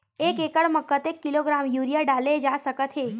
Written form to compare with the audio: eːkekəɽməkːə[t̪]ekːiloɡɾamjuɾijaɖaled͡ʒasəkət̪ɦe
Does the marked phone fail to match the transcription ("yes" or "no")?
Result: no